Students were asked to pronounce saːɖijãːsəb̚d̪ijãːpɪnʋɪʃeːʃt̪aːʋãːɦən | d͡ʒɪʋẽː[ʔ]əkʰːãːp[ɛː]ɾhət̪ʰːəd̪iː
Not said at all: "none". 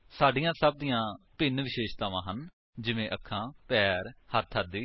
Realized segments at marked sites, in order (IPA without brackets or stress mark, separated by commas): ʔ, ɛː